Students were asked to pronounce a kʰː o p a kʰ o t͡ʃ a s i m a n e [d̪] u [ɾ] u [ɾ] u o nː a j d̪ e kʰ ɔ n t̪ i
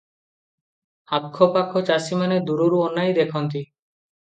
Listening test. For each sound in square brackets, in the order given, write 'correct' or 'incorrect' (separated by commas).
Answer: correct, correct, correct